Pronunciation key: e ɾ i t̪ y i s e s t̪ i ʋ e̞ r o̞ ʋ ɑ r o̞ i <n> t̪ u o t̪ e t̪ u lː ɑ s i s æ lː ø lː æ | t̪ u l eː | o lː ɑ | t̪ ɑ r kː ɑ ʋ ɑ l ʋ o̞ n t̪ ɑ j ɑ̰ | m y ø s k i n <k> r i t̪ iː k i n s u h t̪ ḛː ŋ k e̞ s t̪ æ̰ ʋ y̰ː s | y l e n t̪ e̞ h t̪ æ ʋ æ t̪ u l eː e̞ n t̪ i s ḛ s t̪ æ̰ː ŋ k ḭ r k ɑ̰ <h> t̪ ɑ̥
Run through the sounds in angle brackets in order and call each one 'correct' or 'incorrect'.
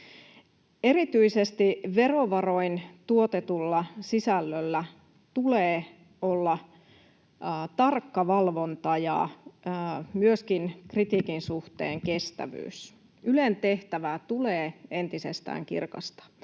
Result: correct, correct, incorrect: s

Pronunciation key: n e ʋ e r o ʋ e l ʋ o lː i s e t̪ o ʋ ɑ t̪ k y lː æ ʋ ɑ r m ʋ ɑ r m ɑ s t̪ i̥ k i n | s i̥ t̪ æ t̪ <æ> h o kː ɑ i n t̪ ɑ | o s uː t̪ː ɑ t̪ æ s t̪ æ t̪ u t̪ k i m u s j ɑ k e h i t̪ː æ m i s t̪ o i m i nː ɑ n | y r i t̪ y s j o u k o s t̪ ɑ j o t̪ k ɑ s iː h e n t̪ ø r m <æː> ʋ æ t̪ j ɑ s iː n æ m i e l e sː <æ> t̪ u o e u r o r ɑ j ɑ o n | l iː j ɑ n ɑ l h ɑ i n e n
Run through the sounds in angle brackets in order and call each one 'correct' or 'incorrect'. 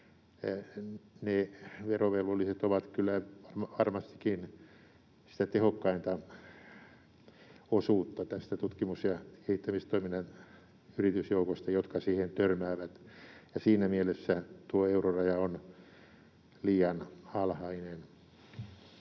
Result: incorrect: e, correct, correct

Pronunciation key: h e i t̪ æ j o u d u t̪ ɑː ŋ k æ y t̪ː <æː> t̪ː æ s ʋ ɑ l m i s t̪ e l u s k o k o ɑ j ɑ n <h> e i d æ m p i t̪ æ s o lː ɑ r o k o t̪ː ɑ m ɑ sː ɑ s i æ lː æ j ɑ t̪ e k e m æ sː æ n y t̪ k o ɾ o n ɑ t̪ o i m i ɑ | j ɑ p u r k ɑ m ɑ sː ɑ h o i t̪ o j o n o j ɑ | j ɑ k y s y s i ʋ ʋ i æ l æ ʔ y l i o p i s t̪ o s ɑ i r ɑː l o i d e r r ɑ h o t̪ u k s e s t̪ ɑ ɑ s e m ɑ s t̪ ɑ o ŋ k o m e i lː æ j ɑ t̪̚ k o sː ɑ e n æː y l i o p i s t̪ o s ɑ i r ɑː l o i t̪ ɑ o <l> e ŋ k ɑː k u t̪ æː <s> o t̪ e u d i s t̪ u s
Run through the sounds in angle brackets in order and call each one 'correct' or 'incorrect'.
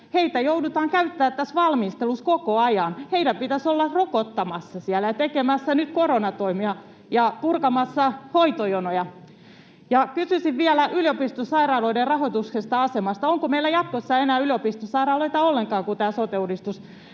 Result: correct, correct, incorrect: lː, correct

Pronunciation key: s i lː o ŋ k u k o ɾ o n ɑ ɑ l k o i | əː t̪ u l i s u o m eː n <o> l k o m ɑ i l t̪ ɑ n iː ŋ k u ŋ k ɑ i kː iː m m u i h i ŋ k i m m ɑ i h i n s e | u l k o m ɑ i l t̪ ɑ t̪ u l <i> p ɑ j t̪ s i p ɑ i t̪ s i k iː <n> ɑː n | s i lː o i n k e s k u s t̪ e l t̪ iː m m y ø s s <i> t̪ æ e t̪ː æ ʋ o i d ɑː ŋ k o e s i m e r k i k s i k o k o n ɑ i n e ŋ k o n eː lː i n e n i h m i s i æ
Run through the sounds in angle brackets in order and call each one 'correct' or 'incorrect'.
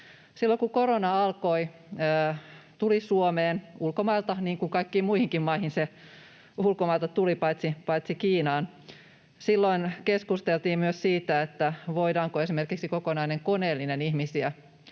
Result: incorrect: u, correct, correct, incorrect: iː

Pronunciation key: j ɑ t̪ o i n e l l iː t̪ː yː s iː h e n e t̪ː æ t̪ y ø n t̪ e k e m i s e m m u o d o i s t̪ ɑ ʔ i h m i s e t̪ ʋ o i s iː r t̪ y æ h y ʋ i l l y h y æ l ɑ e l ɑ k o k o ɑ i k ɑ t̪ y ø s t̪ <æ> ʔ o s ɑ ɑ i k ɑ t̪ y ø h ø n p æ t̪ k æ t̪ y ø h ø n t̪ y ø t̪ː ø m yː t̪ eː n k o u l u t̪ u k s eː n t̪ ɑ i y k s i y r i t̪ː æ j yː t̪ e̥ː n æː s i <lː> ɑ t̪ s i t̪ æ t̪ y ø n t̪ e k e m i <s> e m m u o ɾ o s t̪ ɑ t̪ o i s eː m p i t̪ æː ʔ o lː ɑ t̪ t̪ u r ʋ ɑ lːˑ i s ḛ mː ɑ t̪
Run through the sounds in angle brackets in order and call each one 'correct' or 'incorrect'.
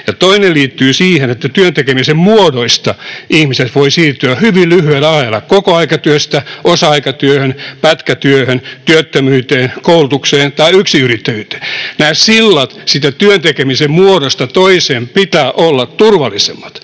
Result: correct, correct, correct

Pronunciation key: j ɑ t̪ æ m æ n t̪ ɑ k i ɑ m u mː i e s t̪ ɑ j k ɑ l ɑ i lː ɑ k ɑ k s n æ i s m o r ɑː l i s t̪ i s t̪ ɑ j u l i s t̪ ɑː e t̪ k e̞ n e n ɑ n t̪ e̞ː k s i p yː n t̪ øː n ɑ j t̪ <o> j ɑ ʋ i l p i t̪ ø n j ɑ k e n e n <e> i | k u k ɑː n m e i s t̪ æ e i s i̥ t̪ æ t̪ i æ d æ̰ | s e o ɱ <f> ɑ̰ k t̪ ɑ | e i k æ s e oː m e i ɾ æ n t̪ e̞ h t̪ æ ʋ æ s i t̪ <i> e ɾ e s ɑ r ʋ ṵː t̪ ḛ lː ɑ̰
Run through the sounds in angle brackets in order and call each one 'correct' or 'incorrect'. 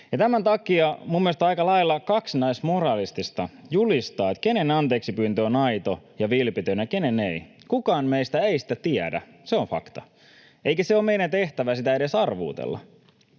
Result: correct, correct, correct, incorrect: æ

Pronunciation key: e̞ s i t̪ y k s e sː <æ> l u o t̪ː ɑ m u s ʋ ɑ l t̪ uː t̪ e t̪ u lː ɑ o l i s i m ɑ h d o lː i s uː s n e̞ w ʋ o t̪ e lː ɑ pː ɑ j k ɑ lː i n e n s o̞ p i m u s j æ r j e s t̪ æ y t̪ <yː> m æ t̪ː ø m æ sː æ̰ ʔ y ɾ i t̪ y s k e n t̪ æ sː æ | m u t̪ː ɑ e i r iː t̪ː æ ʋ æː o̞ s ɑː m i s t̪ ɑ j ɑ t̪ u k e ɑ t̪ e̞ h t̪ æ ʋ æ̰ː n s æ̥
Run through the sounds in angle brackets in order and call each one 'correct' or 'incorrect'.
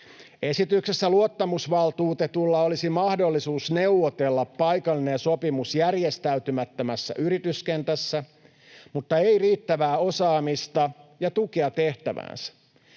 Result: correct, incorrect: y

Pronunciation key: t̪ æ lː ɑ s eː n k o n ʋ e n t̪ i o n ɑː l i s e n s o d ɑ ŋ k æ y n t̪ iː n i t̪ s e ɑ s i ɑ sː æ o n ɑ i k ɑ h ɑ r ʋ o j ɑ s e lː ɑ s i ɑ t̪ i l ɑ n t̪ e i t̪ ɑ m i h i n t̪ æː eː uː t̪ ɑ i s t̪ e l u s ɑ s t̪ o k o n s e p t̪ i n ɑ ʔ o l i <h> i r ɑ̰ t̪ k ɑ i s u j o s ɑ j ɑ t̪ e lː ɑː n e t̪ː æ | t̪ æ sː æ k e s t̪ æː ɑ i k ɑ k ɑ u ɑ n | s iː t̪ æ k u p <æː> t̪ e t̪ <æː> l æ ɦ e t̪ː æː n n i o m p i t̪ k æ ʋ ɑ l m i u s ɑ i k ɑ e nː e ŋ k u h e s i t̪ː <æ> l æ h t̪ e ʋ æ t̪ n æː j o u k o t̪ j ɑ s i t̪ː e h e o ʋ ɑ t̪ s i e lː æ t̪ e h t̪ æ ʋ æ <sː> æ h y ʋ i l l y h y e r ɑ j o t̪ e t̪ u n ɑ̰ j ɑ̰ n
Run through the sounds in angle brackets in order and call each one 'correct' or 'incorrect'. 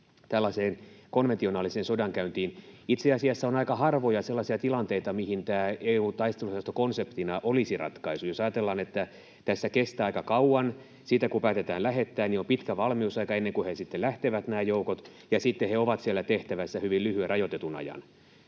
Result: incorrect: s, correct, correct, incorrect: e, correct

